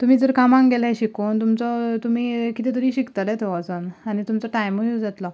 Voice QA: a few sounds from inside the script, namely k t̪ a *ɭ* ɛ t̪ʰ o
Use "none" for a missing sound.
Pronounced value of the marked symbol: l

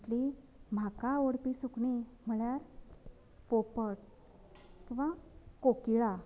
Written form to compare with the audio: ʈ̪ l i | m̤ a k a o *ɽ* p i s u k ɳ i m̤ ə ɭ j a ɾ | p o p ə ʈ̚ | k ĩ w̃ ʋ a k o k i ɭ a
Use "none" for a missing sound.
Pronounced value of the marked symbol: ɽ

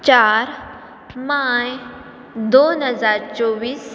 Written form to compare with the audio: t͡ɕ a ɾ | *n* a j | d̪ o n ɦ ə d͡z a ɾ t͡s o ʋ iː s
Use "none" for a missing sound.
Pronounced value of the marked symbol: m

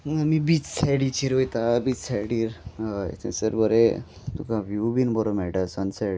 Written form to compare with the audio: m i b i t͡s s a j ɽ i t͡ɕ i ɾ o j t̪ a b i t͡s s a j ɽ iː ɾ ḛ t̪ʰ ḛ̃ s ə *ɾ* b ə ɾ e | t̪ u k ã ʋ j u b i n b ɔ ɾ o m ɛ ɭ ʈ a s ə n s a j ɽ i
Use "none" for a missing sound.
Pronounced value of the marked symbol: ɾ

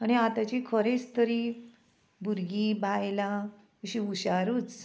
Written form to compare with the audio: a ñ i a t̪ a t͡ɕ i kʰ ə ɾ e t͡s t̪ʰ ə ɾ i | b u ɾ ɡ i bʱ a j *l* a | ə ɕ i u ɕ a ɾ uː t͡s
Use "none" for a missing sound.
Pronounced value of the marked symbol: l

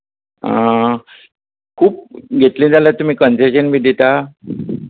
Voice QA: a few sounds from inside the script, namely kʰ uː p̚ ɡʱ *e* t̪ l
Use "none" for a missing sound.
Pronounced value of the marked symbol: e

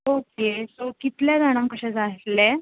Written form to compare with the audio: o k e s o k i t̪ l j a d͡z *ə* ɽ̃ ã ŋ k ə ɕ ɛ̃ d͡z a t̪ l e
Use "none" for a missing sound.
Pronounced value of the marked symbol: a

